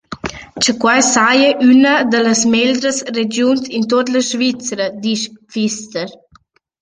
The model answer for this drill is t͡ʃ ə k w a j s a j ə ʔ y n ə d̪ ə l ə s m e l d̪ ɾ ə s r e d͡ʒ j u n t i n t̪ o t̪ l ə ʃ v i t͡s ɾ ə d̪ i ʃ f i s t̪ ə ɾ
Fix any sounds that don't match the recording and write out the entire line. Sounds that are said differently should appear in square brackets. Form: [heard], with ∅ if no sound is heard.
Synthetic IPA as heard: t͡ʃ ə k w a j s a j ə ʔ y n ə d̪ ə l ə s m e l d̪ ɾ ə s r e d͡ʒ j u n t i n t̪ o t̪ l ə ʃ v i t͡s ɾ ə d̪ i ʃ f i s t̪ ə ɾ